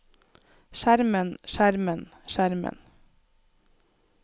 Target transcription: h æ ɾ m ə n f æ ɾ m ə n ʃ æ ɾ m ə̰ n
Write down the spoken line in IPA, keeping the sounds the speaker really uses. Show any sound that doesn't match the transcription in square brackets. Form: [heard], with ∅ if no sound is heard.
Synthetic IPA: [ʃ] æ ɾ m ə n [ʃ] æ ɾ m ə n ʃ æ ɾ m ə̰ n